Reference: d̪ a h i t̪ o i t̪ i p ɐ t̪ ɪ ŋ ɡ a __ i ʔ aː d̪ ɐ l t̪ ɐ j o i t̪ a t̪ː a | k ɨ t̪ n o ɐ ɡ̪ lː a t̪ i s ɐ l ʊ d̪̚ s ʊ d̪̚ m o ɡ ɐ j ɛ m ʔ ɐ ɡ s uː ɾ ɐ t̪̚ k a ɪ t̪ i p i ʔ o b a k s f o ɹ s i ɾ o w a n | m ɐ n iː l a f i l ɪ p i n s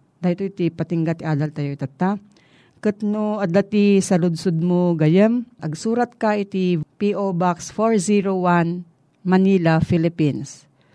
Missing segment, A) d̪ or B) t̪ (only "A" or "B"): B